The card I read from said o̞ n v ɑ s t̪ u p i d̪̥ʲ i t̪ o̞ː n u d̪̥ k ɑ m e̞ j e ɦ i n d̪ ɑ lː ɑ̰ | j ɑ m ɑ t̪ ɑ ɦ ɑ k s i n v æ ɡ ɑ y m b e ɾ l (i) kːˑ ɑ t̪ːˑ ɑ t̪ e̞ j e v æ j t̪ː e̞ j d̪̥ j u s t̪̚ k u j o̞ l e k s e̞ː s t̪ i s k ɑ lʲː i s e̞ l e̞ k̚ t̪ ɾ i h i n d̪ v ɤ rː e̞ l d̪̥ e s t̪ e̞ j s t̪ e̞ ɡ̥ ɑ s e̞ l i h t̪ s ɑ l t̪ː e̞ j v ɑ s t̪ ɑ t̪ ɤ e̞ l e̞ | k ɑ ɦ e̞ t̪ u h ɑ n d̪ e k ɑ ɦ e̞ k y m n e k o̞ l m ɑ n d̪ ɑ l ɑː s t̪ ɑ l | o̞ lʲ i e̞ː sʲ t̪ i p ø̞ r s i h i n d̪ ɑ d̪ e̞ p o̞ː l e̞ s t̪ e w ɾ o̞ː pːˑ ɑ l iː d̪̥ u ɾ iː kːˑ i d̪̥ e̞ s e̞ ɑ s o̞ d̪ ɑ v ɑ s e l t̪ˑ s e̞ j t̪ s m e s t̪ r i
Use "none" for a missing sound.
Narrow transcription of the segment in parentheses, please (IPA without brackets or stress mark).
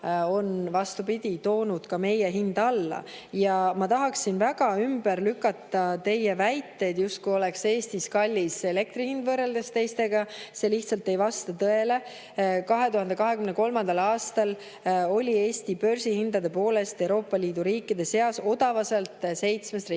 y